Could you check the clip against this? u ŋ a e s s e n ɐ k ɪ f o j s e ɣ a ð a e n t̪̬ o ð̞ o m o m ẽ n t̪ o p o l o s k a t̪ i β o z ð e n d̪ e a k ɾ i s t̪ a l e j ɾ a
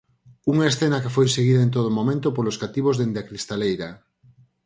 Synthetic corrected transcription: u ŋ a e s θ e n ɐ k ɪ f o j s e ɣ i ð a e n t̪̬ o ð̞ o m o m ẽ n t̪ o p o l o s k a t̪ i β o z ð e n d̪ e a k ɾ i s t̪ a l e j ɾ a